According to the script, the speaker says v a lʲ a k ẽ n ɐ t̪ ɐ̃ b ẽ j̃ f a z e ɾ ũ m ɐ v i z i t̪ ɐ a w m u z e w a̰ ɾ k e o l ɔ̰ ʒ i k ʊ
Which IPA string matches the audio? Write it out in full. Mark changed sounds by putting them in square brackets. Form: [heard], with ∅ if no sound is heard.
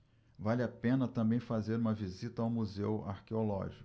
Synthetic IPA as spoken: v a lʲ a [p] ẽ n ɐ t̪ ɐ̃ b ẽ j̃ f a z e ɾ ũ m ɐ v i z i t̪ ɐ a w m u z e w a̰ ɾ k e o l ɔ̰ ʒ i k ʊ